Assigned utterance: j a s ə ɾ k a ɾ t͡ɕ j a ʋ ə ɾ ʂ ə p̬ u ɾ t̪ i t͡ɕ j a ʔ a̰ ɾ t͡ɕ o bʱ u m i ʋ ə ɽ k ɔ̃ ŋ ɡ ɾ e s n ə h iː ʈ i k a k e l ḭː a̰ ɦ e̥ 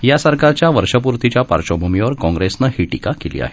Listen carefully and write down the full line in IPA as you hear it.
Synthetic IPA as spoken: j a s ə ɾ k a ɾ t͡ɕ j a ʋ ə ɾ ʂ ə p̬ u ɾ t̪ i t͡ɕ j a p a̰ ɾ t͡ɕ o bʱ u m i ʋ ə ɾ k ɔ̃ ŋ ɡ ɾ e s n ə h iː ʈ i k a k e l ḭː a̰ ɦ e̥